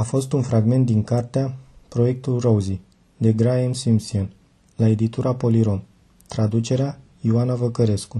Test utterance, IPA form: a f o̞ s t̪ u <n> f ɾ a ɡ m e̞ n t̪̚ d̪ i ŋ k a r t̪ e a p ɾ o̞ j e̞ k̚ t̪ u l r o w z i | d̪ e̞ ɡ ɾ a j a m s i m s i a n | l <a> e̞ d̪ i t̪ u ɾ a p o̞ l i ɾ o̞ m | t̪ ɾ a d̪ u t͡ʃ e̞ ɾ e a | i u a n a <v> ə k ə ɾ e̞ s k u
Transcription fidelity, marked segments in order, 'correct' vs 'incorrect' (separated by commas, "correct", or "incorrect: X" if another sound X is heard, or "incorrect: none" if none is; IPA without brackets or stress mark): correct, correct, correct